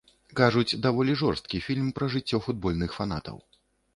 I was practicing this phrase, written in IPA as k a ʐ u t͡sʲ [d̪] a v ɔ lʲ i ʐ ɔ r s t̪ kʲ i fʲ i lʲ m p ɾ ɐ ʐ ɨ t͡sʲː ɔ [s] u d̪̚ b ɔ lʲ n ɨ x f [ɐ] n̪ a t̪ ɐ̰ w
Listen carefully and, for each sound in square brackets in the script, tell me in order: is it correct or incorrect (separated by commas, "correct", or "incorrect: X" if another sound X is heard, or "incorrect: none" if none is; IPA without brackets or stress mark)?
correct, incorrect: f, incorrect: a